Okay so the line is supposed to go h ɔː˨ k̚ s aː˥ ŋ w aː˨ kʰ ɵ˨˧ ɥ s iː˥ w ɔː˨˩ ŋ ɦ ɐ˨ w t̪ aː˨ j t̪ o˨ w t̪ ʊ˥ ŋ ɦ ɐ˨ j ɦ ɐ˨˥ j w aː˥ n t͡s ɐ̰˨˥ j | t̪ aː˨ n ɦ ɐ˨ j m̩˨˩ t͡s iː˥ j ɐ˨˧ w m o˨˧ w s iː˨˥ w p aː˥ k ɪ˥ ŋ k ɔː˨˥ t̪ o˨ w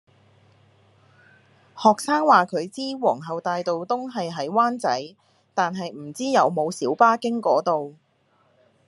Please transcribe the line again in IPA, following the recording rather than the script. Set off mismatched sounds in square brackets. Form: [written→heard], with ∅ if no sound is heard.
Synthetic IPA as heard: h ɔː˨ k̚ s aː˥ ŋ w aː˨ kʰ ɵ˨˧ ɥ [s→t͡s] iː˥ w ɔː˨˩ ŋ ɦ ɐ˨ w t̪ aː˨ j t̪ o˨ w t̪ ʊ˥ ŋ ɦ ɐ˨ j ɦ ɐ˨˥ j w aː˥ n t͡s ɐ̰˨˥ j | t̪ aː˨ n ɦ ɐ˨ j m̩˨˩ t͡s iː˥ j ɐ˨˧ w m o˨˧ w s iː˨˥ w p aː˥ k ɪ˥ ŋ k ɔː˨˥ t̪ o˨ w